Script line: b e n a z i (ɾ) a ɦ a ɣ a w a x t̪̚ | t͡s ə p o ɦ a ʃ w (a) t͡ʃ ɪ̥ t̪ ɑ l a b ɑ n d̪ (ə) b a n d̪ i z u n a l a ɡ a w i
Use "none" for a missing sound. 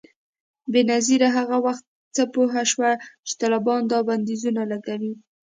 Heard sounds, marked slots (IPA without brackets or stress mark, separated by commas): ɾ, a, ɑ